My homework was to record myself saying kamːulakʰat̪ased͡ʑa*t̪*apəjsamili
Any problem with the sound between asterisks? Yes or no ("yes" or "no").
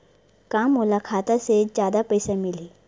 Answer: yes